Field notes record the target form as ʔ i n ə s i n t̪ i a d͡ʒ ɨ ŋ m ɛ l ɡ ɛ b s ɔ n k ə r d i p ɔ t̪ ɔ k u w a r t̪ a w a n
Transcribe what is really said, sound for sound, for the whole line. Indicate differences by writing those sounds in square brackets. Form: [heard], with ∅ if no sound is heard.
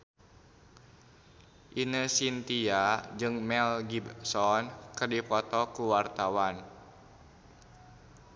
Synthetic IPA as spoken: ʔ i n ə s i n t̪ i a d͡ʒ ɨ ŋ m ɛ l ɡ [i] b s ɔ n k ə r d i p ɔ t̪ ɔ k u w a r t̪ a w a n